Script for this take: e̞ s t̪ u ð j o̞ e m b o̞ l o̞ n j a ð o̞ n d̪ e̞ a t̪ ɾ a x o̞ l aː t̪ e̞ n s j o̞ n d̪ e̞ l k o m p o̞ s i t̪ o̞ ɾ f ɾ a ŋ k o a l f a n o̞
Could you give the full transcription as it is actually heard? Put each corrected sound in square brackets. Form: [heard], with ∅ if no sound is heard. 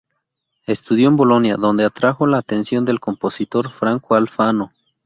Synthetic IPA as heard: e̞ s t̪ u ð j o̞ e m b o̞ l o̞ n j a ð o̞ n d̪ e̞ a t̪ ɾ a x o̞ l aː t̪ e̞ n s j o̞ n d̪ e̞ l k o m p o̞ s i t̪ o̞ ɾ f ɾ a ŋ k o a l f a n o̞